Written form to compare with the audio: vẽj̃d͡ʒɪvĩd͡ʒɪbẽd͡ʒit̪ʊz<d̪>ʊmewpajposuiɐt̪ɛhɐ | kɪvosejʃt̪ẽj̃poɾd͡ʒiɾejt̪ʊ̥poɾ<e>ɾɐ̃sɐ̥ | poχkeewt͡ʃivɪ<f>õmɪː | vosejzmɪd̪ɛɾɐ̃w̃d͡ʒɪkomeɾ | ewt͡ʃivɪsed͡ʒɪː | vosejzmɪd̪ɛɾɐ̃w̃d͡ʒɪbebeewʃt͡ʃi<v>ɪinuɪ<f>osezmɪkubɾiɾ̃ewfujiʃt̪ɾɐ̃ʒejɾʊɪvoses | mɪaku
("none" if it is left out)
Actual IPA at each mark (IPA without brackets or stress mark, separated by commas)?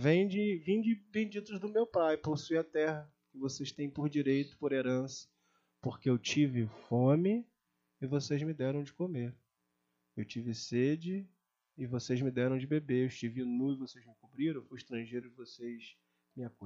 d̪, e, f, v, v